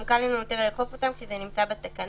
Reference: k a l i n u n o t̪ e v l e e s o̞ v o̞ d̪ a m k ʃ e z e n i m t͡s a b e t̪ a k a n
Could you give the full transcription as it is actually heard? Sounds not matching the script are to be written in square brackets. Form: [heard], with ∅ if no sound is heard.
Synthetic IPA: k a l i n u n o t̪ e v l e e [χ] o̞ [f] o̞ [t̪] a m k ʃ e z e n i m t͡s a b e t̪ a k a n